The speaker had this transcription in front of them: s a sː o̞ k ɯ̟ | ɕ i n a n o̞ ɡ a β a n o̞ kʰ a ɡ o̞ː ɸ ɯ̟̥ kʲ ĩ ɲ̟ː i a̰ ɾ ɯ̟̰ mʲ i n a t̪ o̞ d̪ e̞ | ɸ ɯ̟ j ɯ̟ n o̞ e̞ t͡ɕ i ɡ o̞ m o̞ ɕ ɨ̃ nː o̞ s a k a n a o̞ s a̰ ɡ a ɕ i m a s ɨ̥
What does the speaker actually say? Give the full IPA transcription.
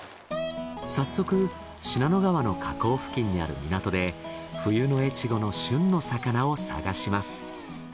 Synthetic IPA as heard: s a sː o̞ k ɯ̟ | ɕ i n a n o̞ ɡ a β a n o̞ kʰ a k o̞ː ɸ ɯ̟̥ kʲ ĩ ɲ̟ː i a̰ ɾ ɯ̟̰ mʲ i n a t̪ o̞ d̪ e̞ | ɸ ɯ̟ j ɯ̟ n o̞ e̞ t͡ɕ i ɡ o̞ n o̞ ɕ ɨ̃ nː o̞ s a k a n a o̞ s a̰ ɡ a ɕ i m a s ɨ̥